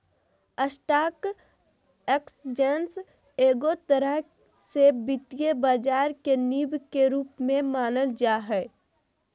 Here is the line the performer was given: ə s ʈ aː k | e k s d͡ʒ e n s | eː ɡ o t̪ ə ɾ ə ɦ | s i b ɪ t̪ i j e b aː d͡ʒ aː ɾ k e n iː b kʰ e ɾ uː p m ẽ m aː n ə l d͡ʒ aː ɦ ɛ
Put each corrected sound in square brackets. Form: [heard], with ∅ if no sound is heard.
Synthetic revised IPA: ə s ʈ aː k | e k s d͡ʒ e n s | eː ɡ o t̪ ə ɾ ə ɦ | s [e] b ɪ t̪ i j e b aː d͡ʒ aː ɾ k e n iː b [k] e ɾ uː p m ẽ m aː n ə l d͡ʒ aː ɦ ɛ